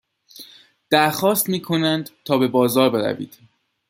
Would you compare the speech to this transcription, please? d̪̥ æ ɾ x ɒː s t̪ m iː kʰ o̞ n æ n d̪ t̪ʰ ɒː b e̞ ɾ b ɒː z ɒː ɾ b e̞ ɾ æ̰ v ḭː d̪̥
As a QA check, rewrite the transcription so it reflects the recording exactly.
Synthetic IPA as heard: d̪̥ æ ɾ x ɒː s t̪ m iː kʰ o̞ n æ n d̪ t̪ʰ ɒː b e̞ b ɒː z ɒː ɾ b e̞ ɾ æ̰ v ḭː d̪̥

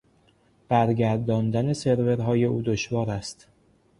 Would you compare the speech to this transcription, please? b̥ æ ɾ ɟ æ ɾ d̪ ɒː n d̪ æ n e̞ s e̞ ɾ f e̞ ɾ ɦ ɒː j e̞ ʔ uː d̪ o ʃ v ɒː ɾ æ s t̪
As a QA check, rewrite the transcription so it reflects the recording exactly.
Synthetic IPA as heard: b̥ æ ɾ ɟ æ ɾ d̪ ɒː n d̪ æ n e̞ s e̞ ɾ v e̞ ɾ ɦ ɒː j e̞ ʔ uː d̪ o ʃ v ɒː ɾ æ s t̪

